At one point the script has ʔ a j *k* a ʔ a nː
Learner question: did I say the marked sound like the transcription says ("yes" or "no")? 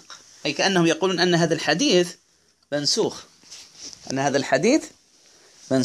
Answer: yes